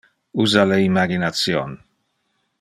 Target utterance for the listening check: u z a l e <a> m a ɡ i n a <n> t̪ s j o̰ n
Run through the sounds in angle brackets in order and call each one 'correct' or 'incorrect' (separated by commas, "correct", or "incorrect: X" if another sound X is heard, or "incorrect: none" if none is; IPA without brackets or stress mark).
incorrect: i, incorrect: none